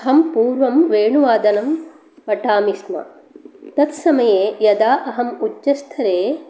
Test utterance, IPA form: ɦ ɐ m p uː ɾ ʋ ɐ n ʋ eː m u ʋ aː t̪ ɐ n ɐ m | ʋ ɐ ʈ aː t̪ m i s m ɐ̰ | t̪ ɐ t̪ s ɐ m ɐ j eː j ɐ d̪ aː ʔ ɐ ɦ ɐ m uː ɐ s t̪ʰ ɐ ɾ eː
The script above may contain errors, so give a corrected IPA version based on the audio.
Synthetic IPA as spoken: ɦ ɐ m p uː ɾ ʋ ɐ m ʋ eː ɳ u ʋ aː d̪ ɐ n ɐ m | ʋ ɐ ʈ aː m i s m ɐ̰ | t̪ ɐ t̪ s ɐ m ɐ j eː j ɐ d̪ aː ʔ ɐ ɦ ɐ m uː ɐ s t̪ʰ ɐ ɾ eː